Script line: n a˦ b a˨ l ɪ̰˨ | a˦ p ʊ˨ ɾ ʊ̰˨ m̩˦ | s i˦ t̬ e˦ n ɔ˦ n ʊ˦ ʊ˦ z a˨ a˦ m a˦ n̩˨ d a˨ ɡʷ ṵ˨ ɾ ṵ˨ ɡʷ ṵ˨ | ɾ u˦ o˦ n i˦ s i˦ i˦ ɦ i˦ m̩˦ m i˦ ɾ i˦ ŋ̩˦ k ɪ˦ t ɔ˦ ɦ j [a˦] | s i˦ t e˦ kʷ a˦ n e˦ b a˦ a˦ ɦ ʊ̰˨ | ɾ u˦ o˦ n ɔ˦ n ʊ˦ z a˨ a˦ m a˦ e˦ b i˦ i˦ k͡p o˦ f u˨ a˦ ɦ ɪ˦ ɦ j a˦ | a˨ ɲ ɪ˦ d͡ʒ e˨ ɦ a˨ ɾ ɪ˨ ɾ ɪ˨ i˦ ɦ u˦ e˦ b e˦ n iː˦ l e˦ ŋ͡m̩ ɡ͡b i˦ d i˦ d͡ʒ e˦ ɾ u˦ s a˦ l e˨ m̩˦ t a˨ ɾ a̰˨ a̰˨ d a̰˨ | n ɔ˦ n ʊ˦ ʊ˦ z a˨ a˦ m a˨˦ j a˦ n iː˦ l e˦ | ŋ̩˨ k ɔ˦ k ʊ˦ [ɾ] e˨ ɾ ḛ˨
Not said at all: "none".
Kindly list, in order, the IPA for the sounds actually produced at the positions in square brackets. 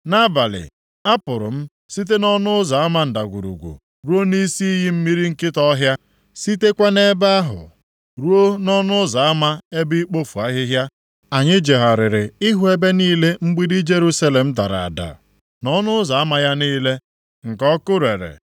a˦, ɾ

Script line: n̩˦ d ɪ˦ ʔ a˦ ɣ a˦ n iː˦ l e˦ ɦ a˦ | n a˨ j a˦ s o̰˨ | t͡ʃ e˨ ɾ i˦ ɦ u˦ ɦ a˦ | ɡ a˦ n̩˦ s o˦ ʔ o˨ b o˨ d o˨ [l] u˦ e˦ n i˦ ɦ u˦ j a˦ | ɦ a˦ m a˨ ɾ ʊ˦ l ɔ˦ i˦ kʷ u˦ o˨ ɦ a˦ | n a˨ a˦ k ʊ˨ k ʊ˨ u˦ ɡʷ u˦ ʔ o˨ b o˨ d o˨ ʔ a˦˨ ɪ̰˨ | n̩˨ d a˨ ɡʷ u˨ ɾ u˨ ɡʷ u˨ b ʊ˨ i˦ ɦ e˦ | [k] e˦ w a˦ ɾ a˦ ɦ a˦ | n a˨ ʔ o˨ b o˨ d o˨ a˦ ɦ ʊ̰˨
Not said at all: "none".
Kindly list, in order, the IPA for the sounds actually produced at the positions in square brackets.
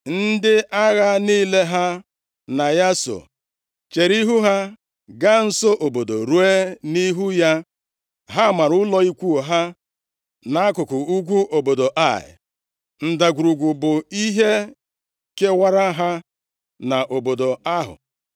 ɾ, k

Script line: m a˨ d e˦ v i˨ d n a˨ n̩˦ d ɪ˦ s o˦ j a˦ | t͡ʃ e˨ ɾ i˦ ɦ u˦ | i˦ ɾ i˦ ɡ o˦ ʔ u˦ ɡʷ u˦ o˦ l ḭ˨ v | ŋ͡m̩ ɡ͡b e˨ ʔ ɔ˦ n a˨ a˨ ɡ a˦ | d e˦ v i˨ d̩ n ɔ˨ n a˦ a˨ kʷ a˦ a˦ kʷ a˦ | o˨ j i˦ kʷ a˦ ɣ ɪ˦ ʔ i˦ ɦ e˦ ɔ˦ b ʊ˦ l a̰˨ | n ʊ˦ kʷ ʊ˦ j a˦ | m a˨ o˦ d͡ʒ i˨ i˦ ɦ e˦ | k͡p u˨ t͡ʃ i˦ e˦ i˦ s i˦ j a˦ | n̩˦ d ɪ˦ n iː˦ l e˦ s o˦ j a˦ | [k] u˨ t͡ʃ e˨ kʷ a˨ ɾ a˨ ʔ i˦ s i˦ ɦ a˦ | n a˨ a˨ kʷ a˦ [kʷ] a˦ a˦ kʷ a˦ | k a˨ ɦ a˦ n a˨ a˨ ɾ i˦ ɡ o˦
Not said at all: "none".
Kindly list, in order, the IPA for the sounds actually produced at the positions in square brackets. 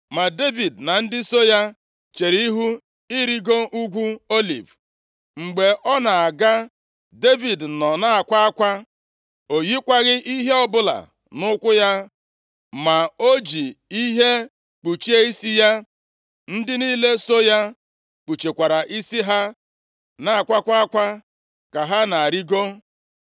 k͡p, kʷ

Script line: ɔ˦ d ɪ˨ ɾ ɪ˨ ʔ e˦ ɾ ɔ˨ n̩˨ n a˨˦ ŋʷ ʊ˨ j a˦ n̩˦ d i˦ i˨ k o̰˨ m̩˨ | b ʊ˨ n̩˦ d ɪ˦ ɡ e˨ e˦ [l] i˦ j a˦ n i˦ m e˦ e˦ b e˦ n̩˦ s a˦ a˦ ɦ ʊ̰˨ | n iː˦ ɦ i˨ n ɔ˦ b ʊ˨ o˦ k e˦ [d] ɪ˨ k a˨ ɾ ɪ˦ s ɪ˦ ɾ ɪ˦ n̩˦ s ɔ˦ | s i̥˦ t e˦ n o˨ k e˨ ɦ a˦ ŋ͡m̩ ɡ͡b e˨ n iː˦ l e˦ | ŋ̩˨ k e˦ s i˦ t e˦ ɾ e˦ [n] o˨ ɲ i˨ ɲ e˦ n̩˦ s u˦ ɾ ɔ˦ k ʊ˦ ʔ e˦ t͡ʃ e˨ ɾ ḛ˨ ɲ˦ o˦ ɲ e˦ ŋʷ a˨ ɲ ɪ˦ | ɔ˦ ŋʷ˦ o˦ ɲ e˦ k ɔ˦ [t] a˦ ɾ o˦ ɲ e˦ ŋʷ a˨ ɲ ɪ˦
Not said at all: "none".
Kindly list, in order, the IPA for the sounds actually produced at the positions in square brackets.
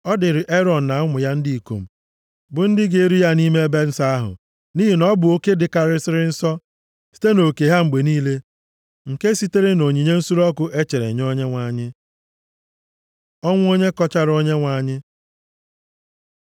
ɾ, d, n, t͡ʃ

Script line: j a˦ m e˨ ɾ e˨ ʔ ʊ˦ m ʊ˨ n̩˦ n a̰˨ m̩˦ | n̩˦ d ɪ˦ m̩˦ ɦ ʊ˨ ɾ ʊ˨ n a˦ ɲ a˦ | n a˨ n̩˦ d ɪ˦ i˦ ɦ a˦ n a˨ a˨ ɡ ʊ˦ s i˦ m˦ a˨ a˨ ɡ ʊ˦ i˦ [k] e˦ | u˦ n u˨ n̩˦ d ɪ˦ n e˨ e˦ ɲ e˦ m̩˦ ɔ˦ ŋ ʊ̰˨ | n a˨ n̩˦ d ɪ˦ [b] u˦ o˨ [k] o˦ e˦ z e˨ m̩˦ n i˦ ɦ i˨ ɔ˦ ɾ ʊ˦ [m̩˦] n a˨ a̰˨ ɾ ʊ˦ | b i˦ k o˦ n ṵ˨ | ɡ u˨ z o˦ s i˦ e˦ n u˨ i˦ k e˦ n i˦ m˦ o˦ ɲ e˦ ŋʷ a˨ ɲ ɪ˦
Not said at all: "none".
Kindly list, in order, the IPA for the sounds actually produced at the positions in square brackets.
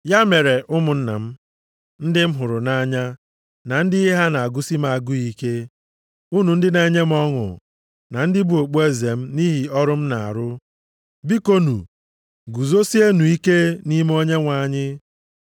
k, b, k͡p, m̩˦

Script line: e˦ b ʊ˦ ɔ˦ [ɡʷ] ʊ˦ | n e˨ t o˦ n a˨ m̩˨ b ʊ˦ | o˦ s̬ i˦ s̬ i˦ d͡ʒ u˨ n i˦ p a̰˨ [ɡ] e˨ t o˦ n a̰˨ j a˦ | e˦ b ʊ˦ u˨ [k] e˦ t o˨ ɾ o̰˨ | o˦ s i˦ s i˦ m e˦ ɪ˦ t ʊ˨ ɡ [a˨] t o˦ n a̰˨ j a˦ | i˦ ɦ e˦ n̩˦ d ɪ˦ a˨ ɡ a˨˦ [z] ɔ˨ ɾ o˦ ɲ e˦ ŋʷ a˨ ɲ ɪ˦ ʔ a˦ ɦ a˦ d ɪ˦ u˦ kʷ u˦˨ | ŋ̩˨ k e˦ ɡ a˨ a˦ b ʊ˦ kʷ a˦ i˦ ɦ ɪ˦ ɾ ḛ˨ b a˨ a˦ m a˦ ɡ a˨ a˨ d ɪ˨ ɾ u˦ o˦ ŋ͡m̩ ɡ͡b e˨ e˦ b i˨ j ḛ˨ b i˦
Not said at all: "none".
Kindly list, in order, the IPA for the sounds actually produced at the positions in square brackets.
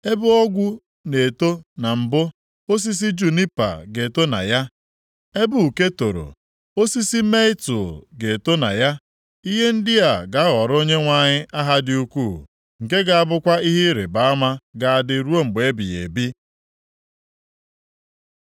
ɡʷ, ɡ, k, e˨, ɣ

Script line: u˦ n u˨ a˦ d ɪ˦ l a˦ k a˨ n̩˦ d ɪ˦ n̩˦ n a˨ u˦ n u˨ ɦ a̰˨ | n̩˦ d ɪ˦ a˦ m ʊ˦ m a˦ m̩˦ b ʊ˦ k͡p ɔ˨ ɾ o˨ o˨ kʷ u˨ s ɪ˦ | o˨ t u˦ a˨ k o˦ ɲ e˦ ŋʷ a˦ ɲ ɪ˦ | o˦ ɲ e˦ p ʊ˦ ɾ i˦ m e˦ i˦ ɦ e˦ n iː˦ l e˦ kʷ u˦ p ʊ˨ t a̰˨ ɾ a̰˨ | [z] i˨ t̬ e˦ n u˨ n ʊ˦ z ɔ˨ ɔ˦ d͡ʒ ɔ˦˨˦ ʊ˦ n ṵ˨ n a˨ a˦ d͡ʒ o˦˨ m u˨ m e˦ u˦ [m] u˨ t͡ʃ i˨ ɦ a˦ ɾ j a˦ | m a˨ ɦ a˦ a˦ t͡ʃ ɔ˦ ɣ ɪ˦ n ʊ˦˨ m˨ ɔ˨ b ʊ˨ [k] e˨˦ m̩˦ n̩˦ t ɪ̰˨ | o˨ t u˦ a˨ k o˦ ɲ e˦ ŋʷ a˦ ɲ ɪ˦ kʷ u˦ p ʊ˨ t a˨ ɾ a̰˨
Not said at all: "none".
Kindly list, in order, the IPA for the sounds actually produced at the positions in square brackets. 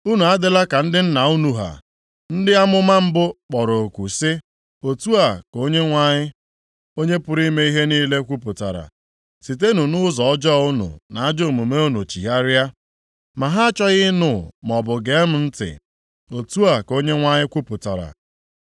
s, n, ɡ

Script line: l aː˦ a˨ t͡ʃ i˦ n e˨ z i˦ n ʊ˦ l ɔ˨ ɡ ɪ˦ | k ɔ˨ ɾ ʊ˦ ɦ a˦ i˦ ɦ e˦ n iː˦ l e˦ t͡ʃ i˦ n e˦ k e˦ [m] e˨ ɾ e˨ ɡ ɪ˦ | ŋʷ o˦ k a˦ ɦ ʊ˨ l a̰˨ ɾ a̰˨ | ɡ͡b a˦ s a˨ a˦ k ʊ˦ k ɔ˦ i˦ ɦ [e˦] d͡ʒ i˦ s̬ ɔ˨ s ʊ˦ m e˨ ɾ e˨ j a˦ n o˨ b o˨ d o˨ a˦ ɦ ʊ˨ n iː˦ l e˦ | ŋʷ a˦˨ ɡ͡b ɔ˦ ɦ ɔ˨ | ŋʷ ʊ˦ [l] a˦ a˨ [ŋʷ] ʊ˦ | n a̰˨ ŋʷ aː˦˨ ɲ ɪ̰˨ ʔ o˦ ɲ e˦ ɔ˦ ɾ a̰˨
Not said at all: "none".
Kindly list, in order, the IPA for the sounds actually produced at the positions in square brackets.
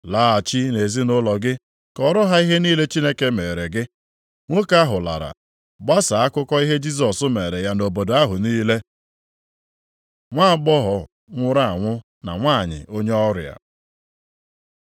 m, e˦, ɾ, ŋʷ

